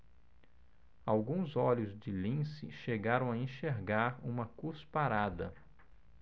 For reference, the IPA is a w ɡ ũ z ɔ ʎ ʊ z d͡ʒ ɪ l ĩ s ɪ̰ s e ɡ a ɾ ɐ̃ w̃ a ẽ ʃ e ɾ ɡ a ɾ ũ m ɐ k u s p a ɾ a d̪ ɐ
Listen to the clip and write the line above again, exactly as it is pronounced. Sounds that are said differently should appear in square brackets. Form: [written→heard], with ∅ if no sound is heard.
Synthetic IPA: a w ɡ ũ z ɔ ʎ ʊ z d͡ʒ ɪ l ĩ s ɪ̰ [s→ʃ] e ɡ a ɾ ɐ̃ w̃ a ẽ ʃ e ɾ ɡ a ɾ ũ m ɐ k u s p a ɾ a d̪ ɐ